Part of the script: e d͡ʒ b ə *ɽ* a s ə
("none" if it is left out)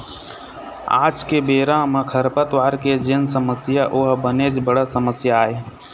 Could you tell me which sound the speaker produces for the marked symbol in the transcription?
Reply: ɽ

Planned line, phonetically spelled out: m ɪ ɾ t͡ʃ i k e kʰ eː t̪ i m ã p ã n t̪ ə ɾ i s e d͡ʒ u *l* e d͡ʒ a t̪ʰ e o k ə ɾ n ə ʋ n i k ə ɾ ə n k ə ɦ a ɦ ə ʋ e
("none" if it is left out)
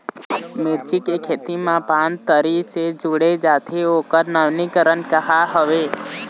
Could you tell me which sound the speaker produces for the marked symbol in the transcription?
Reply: ɽ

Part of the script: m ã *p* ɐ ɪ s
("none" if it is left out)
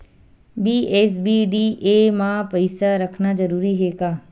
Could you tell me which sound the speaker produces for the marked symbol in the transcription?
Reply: p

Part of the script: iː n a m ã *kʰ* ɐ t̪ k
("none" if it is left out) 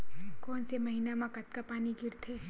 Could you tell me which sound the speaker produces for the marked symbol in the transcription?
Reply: k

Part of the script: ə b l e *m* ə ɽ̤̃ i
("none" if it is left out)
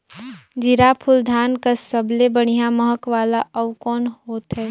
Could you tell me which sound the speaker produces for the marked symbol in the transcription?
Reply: b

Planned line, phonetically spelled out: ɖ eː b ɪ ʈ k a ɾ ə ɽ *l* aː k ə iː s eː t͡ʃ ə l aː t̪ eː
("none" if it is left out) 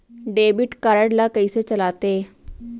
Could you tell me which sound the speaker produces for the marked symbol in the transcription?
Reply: l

